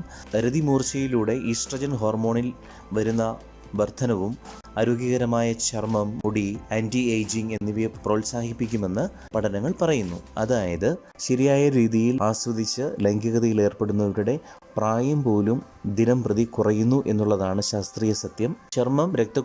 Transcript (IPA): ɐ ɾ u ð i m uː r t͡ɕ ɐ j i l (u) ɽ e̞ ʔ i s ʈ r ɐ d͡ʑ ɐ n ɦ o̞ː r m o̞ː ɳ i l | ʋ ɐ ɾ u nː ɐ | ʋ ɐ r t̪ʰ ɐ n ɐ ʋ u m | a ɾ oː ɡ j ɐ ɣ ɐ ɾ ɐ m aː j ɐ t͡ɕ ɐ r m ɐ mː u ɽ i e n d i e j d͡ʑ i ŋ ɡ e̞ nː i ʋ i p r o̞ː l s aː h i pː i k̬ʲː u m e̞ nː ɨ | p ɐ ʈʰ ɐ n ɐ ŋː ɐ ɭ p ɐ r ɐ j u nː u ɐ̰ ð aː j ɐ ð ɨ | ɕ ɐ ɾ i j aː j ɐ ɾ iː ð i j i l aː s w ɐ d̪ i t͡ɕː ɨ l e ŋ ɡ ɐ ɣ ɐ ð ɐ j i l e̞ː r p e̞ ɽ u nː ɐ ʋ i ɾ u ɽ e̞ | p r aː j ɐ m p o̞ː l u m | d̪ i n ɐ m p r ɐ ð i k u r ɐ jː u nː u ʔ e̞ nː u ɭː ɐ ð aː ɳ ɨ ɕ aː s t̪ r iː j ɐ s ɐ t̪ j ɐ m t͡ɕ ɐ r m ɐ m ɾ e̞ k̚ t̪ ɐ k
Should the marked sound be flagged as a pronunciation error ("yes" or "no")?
yes